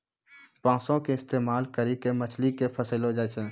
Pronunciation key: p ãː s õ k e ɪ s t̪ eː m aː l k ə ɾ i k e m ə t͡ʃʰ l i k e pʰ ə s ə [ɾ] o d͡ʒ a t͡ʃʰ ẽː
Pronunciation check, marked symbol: incorrect: l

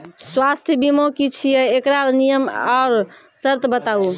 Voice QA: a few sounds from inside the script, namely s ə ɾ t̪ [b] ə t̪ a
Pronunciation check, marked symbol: correct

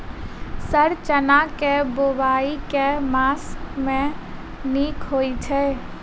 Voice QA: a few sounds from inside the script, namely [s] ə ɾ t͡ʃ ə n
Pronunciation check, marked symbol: correct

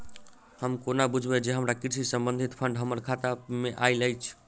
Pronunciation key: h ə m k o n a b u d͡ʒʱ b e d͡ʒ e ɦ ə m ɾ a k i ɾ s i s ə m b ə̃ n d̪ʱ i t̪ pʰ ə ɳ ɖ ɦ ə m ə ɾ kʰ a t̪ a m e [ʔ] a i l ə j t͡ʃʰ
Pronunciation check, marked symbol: correct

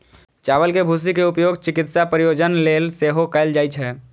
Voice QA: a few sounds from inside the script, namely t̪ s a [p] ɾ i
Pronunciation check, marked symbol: correct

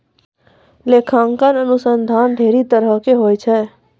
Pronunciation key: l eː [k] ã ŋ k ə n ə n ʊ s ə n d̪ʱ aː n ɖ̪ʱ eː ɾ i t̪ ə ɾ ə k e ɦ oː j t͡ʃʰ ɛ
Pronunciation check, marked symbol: incorrect: kʰ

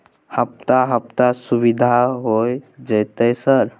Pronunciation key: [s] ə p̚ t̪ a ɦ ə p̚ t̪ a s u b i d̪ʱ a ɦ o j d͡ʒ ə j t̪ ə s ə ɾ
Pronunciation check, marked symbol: incorrect: h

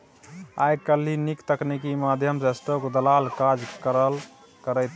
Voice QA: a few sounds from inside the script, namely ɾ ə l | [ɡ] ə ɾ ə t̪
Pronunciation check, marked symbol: incorrect: k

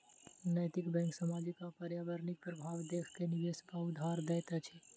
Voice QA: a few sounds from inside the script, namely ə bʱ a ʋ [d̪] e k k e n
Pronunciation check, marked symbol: correct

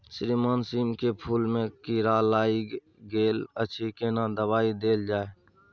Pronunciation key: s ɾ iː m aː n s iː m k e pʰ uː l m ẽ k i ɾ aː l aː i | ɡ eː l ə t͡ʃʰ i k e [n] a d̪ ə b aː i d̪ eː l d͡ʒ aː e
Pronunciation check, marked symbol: correct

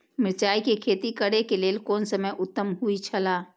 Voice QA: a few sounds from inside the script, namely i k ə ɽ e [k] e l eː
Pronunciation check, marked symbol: correct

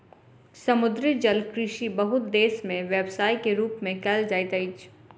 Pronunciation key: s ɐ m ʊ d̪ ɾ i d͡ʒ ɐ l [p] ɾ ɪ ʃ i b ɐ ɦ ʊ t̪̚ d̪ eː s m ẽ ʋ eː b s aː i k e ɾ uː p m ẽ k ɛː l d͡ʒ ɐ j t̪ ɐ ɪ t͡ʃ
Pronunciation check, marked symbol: incorrect: k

